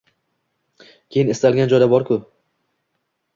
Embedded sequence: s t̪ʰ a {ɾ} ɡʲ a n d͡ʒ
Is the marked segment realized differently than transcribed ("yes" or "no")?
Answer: yes